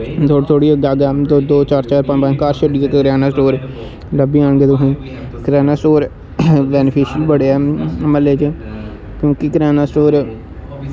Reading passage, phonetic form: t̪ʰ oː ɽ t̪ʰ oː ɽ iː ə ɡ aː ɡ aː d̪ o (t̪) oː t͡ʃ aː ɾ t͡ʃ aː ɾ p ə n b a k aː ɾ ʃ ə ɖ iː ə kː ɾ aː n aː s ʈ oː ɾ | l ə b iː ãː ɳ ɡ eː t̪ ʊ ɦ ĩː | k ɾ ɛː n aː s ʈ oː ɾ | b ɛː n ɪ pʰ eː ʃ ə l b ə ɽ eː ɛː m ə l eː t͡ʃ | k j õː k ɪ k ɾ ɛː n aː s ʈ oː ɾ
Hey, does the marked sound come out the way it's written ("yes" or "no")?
no